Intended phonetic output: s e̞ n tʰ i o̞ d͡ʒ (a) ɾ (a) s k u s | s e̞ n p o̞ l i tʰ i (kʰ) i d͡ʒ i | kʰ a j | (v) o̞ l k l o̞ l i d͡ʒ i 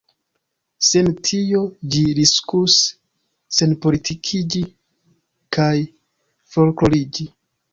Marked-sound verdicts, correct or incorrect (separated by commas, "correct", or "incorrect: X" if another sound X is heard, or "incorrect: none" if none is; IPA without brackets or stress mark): incorrect: i, incorrect: i, correct, incorrect: f